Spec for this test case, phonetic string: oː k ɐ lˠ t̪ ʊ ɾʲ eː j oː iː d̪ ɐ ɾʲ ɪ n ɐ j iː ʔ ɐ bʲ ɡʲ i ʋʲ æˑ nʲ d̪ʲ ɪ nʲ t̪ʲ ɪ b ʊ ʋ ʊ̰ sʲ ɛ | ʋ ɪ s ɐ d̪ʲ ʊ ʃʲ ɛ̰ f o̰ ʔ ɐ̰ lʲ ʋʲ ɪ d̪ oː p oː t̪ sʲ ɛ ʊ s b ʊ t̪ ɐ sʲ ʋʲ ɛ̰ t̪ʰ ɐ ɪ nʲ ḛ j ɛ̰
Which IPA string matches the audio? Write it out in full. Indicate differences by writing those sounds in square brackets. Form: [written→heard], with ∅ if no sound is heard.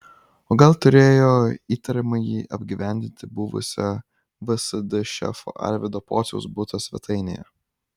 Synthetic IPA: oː [k→ɡ] ɐ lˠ t̪ ʊ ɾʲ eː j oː iː [d̪→t̪] ɐ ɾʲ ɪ [n→m] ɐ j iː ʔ ɐ bʲ ɡʲ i ʋʲ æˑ nʲ d̪ʲ ɪ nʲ t̪ʲ ɪ b ʊ ʋ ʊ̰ sʲ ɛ | ʋ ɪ s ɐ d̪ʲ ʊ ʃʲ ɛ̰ f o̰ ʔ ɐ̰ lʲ ʋʲ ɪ d̪ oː p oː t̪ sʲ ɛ ʊ s b ʊ t̪ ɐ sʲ ʋʲ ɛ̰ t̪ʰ ɐ ɪ nʲ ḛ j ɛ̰